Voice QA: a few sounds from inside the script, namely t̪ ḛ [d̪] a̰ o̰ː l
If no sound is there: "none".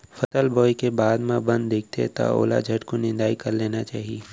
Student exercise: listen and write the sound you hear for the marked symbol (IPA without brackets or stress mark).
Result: t̪